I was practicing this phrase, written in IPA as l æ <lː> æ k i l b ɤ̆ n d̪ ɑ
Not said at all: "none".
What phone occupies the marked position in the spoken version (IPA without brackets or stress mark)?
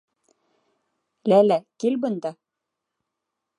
l